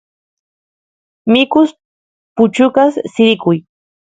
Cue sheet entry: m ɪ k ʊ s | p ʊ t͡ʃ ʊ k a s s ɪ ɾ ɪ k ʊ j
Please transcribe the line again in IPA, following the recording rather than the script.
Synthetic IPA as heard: m ɪ k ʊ s | p ʊ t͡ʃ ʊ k a s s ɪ ɾ ɪ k ʊ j